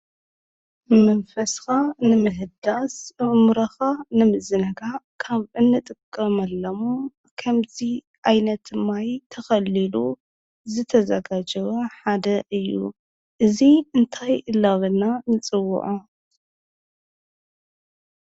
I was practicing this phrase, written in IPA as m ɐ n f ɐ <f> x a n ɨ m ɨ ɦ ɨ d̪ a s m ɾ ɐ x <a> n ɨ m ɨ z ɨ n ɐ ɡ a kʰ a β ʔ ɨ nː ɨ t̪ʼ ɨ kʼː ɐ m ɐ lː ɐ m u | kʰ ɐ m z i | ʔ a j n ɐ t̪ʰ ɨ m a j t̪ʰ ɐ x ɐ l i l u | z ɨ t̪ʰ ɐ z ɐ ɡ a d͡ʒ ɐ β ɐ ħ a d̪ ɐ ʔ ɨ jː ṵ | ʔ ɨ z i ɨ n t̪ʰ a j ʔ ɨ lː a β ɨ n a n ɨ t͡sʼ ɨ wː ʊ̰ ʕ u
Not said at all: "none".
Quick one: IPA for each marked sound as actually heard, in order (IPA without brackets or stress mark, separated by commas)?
s, a